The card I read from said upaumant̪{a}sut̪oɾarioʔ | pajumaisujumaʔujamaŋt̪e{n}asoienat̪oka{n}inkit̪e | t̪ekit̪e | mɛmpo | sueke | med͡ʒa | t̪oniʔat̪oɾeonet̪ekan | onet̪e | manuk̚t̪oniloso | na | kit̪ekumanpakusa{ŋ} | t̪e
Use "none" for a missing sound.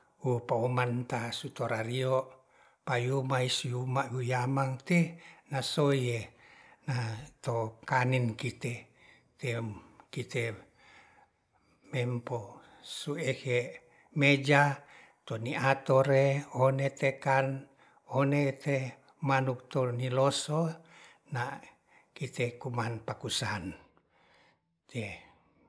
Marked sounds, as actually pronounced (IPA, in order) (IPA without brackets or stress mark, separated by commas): a, n, n, n